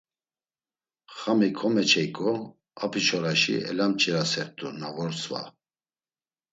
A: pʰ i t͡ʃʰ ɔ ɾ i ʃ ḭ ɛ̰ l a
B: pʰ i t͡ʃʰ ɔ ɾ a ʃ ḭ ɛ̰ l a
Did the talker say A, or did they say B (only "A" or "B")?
B